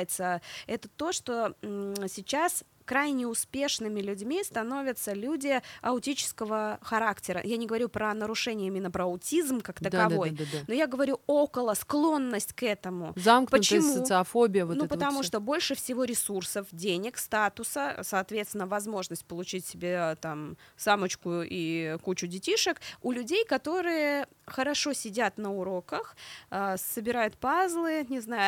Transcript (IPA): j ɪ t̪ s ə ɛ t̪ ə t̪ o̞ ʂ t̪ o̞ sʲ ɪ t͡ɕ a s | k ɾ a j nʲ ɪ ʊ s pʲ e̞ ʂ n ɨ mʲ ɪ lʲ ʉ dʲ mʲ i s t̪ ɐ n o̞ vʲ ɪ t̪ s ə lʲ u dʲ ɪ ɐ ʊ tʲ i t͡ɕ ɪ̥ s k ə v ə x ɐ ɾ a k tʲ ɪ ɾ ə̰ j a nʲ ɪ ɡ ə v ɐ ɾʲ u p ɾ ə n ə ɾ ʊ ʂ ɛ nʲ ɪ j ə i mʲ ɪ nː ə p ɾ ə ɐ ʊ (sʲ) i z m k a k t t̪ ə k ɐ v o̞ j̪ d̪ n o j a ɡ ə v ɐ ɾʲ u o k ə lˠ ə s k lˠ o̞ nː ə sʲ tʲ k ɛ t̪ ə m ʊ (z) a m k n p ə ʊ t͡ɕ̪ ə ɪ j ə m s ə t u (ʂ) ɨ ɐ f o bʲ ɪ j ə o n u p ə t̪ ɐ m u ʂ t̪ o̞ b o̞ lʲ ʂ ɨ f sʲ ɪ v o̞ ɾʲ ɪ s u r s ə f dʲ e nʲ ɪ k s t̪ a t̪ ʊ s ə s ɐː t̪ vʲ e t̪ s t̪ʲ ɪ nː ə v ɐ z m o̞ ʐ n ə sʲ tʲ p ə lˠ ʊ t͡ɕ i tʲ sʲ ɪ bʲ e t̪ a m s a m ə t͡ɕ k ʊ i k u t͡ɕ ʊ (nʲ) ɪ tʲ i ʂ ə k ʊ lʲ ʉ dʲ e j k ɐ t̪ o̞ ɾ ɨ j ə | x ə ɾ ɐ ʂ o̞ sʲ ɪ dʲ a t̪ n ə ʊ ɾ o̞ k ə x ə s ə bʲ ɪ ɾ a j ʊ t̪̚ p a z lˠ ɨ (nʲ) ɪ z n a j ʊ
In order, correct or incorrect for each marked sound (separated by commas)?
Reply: incorrect, correct, incorrect, incorrect, correct